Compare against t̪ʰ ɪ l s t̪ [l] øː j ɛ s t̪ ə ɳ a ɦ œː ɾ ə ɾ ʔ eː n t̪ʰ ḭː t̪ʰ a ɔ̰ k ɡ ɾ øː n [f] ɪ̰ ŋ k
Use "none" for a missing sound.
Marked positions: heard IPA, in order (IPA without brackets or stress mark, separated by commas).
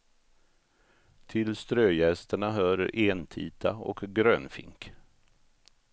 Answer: ɾ, f